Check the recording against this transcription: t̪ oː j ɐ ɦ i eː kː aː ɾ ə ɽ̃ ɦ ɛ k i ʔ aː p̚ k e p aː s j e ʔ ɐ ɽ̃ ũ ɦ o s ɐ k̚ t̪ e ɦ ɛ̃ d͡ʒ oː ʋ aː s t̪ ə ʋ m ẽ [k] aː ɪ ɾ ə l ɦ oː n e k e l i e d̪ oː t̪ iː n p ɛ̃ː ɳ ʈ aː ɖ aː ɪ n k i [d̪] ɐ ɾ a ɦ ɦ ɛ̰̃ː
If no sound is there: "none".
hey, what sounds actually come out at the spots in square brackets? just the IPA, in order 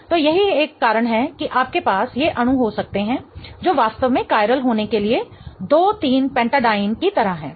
k, t̪

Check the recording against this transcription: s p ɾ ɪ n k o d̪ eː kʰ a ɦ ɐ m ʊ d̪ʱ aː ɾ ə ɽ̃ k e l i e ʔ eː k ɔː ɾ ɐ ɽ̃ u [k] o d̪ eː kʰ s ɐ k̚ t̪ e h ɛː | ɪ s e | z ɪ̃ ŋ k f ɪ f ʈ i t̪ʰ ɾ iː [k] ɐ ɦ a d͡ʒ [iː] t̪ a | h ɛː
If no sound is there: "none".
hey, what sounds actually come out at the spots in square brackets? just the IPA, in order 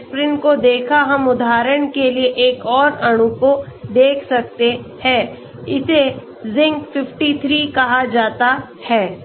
k, k, aː

